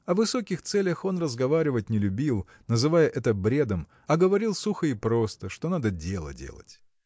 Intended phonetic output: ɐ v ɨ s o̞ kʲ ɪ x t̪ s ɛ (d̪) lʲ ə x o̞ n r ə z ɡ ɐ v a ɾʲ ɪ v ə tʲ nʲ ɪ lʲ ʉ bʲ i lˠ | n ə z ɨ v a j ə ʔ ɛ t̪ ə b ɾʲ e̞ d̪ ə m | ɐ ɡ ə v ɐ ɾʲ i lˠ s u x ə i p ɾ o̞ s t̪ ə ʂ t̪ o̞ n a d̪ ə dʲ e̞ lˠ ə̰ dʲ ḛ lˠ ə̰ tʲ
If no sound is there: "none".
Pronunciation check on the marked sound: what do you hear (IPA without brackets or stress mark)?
none